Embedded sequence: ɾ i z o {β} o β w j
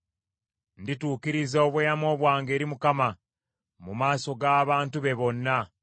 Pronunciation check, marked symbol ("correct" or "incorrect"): incorrect